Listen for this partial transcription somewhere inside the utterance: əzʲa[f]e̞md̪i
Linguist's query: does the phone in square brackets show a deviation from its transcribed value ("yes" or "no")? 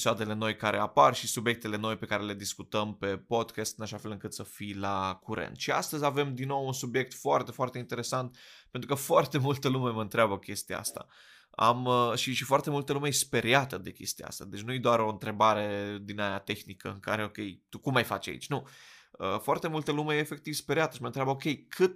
yes